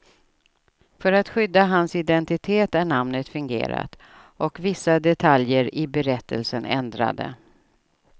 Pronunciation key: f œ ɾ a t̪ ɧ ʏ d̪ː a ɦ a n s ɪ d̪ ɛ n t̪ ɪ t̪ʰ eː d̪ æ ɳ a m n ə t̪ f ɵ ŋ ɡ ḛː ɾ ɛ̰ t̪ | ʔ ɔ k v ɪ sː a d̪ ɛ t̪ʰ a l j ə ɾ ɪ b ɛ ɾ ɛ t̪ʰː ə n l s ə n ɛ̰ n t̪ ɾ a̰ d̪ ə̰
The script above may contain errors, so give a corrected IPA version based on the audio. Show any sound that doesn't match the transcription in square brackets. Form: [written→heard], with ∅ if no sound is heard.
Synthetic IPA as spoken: f œ ɾ a t̪ ɧ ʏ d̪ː a ɦ a n s ɪ d̪ ɛ n t̪ ɪ t̪ʰ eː [d̪→t̪] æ ɳ a m n ə t̪ f ɵ ŋ ɡ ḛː ɾ [ɛ̰→a̰] t̪ | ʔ ɔ k v ɪ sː a d̪ ɛ t̪ʰ a l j ə ɾ ɪ b ɛ ɾ ɛ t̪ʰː ə [n→∅] l s ə n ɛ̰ n [t̪→d̪] ɾ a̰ d̪ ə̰